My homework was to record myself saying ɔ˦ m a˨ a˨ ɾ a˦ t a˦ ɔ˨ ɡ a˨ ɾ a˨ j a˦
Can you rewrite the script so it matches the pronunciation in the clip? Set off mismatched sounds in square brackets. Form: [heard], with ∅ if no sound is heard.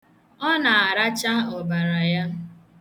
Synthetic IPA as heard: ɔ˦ [n] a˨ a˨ ɾ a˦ [t͡ʃ] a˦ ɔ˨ [b] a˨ ɾ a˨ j a˦